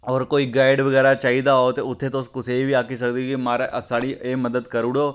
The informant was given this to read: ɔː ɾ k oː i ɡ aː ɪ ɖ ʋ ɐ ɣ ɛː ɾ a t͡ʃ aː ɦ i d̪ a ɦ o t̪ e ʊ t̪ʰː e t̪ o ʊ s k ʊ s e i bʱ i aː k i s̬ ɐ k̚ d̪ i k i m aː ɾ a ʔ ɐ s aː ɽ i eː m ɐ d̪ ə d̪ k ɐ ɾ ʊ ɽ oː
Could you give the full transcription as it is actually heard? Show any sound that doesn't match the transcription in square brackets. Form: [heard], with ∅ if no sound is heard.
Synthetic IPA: ɔː ɾ k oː i ɡ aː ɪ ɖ ʋ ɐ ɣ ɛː ɾ a t͡ʃ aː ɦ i d̪ a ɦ o t̪ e ʊ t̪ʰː e t̪ o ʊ s k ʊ s e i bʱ i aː k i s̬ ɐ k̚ d̪ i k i m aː ɾ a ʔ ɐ s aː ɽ i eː m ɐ d̪ ə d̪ k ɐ ɾ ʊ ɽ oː